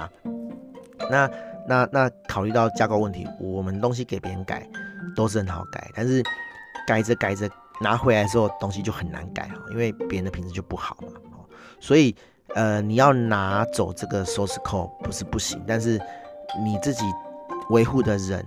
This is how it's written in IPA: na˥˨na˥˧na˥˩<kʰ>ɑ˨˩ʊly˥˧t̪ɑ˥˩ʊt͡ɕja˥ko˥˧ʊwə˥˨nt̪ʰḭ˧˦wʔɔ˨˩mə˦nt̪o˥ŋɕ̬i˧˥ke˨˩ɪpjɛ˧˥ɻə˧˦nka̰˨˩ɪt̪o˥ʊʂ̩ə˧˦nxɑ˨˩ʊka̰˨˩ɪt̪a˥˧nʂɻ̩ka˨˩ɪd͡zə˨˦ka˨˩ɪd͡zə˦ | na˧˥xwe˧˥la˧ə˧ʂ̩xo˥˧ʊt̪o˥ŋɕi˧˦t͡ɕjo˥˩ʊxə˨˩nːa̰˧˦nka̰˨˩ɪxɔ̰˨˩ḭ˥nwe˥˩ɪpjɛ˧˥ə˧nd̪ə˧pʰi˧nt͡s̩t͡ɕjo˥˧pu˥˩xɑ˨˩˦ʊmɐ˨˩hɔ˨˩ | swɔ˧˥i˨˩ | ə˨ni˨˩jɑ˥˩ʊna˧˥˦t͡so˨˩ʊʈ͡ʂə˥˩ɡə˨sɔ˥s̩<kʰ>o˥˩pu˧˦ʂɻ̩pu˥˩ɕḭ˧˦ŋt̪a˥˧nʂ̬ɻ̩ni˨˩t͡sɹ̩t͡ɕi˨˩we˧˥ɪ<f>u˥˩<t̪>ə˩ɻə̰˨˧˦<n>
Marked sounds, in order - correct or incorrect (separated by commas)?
correct, correct, incorrect, incorrect, correct